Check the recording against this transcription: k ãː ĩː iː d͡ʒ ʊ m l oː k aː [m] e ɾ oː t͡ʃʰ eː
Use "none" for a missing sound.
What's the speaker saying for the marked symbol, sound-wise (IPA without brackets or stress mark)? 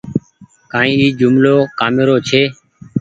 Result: m